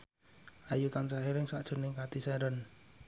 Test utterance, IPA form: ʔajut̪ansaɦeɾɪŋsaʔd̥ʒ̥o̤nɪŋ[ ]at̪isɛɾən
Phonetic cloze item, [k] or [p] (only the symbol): k